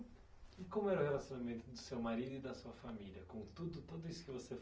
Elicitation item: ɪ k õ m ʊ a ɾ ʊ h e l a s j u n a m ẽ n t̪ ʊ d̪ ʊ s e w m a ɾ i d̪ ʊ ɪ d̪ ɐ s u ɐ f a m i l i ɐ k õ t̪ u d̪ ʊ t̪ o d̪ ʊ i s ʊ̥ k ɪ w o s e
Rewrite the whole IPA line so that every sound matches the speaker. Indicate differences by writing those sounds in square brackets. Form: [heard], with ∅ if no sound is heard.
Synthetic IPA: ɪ k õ m ʊ [ɛ] ɾ ʊ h e l a s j [o] n a m ẽ n t̪ ʊ d̪ ʊ s e w m a ɾ i d̪ ʊ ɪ d̪ ɐ s u ɐ f a m i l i ɐ k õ t̪ u d̪ ʊ t̪ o d̪ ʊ i s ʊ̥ k ɪ [v] o s e